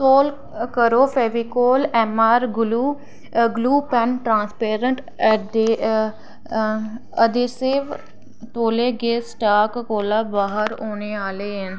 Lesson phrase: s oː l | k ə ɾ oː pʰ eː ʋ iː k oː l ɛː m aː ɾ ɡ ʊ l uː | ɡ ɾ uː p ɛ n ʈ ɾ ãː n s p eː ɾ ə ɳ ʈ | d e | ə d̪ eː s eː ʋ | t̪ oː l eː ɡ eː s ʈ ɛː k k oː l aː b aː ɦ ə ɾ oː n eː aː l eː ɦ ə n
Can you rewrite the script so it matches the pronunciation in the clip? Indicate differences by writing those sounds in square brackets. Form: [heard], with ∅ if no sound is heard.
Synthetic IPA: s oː l | k ə ɾ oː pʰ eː ʋ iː k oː l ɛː m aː ɾ ɡ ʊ l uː | ɡ [l] uː p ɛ n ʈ ɾ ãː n s p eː ɾ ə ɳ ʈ | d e | ə d̪ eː s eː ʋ | t̪ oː l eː ɡ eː s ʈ [aː] k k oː l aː b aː ɦ ə ɾ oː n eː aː l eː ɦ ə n

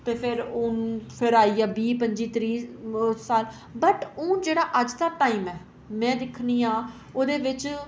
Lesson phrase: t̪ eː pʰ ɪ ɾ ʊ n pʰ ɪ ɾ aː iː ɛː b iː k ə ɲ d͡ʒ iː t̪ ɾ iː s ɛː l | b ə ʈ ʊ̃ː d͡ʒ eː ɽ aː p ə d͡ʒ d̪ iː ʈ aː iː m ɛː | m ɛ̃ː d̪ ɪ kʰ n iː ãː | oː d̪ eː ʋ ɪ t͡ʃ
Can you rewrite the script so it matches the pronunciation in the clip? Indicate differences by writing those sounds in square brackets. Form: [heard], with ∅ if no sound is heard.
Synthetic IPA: t̪ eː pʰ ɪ ɾ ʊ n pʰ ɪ ɾ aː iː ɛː b iː [p] ə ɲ d͡ʒ iː t̪ ɾ iː s [aː] l | b ə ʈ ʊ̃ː d͡ʒ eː ɽ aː [ʔ] ə d͡ʒ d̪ [aː] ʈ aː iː m ɛː | m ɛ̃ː d̪ ɪ kʰ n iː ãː | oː d̪ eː ʋ ɪ t͡ʃ

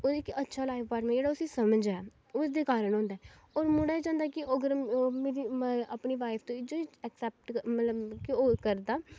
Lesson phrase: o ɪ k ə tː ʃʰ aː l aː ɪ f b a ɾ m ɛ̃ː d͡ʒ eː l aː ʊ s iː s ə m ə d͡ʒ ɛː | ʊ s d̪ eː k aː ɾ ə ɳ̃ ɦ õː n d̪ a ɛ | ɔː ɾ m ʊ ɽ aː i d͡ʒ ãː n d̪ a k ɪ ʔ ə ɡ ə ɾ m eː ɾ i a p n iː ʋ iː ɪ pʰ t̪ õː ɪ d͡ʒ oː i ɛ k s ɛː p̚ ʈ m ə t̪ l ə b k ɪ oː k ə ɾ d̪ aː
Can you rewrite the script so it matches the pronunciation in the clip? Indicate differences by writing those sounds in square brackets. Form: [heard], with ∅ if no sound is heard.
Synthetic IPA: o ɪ k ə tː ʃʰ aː l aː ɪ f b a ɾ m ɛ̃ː d͡ʒ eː [ɽ] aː ʊ s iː s ə m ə d͡ʒ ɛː | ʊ s d̪ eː k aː ɾ ə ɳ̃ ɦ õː n d̪ a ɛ | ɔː ɾ m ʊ ɽ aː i d͡ʒ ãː n d̪ a k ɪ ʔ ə ɡ ə ɾ m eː ɾ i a p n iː ʋ [aː] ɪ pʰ t̪ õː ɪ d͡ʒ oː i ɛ k s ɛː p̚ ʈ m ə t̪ l ə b k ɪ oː k ə ɾ d̪ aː

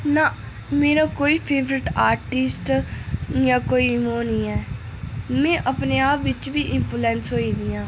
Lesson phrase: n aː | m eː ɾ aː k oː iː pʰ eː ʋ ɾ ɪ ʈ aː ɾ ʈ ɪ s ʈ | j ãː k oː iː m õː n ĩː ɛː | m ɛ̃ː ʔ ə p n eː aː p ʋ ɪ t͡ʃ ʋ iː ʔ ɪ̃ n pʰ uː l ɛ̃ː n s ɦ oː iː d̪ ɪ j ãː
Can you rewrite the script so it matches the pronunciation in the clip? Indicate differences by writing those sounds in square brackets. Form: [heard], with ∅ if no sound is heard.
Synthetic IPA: n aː | m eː ɾ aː k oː iː pʰ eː ʋ ɾ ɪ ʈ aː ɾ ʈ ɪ s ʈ | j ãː k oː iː m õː n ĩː ɛː | m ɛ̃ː ʔ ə p n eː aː p ʋ ɪ t͡ʃ ʋ iː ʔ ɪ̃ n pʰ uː l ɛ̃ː n s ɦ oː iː d̪ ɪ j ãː

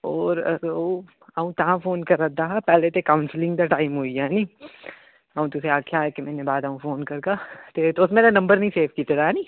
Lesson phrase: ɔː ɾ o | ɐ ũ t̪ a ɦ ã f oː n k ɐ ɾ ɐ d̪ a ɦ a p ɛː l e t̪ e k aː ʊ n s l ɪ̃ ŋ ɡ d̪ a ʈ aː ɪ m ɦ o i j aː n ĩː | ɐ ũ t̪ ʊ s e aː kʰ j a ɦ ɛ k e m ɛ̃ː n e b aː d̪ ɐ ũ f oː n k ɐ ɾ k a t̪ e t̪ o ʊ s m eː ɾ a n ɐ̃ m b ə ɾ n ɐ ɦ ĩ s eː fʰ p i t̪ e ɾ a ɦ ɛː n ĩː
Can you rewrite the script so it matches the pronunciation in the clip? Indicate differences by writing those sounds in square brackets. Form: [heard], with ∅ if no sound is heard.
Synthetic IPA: ɔː ɾ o | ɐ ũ t̪ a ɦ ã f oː n k ɐ ɾ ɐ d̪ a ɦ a p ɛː l e t̪ e k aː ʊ n s l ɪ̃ ŋ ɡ d̪ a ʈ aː ɪ m ɦ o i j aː n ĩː | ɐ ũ t̪ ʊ s e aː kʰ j a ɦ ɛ k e m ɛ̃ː n e b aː d̪ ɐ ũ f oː n k ɐ ɾ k a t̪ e t̪ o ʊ s m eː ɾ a n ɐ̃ m b ə ɾ n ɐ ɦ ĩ s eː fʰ [k] i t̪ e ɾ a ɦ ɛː n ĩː

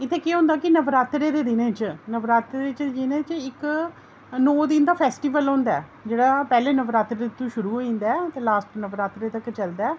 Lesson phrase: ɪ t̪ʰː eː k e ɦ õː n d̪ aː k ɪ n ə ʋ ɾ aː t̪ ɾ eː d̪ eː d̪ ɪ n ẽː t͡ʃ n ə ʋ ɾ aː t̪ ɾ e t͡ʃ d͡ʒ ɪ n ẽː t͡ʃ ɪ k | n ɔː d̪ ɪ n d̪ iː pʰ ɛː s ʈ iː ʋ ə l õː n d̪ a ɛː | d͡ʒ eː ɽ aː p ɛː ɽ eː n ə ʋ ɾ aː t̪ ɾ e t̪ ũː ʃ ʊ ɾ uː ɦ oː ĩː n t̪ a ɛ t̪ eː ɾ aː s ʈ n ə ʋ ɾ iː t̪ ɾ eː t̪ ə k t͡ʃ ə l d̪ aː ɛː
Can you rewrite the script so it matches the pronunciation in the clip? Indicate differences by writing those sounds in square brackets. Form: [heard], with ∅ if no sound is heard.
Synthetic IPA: ɪ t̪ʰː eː k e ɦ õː n d̪ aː k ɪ n ə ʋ ɾ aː t̪ ɾ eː d̪ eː d̪ ɪ n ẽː t͡ʃ n ə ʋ ɾ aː t̪ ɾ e t͡ʃ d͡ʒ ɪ n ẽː t͡ʃ ɪ k | n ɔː d̪ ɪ n d̪ [aː] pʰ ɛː s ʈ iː ʋ ə l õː n d̪ a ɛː | d͡ʒ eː ɽ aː p ɛː [l] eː n ə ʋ ɾ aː t̪ ɾ e t̪ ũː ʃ ʊ ɾ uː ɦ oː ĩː n [d̪] a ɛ t̪ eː [l] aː s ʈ n ə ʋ ɾ [aː] t̪ ɾ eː t̪ ə k t͡ʃ ə l d̪ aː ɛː

